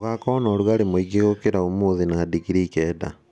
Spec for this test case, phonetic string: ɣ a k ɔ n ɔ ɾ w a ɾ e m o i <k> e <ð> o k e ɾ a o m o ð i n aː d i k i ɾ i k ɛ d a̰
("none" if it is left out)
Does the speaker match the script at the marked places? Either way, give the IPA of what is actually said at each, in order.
ɡ, ɣ

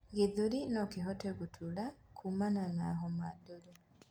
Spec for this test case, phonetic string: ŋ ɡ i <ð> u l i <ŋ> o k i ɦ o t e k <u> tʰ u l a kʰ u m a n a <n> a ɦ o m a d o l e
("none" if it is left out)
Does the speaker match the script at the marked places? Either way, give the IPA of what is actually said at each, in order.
ð, n, u, n

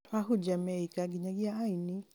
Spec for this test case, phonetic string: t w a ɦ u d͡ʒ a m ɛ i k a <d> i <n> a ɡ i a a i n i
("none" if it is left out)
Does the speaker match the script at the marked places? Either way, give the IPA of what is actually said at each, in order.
ɡ, ɲ

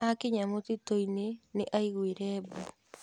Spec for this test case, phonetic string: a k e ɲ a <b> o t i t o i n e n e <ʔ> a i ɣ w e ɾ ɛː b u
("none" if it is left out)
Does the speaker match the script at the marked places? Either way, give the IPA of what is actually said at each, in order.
m, ʔ

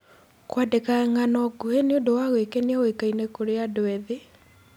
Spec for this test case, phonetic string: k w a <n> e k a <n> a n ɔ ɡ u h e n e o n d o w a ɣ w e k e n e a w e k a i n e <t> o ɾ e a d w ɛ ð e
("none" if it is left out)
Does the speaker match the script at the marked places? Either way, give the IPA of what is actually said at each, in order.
d, ŋ, k

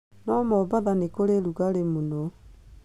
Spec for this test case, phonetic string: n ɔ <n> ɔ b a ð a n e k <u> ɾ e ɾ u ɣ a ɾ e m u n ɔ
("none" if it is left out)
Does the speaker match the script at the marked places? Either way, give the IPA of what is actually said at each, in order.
m, o

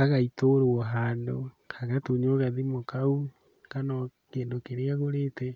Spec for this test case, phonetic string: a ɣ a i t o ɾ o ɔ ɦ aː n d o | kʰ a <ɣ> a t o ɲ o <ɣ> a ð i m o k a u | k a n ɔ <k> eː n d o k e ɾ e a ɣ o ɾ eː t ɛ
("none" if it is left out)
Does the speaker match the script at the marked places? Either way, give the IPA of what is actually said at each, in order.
ɣ, ɣ, k

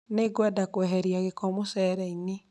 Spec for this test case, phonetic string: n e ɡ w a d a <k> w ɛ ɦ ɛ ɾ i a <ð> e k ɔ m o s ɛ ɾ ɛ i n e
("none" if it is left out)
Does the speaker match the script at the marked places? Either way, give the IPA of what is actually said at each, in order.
k, ɣ

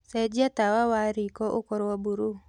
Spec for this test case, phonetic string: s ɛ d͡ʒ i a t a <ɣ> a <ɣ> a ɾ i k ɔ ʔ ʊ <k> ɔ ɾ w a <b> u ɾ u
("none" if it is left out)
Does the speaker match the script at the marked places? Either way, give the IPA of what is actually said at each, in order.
w, w, k, b

